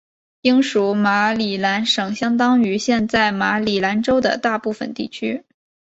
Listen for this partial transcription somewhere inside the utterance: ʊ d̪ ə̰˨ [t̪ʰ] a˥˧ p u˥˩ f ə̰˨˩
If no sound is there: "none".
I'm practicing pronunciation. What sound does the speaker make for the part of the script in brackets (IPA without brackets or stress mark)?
t̪